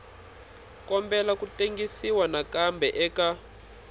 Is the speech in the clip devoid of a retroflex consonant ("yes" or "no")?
yes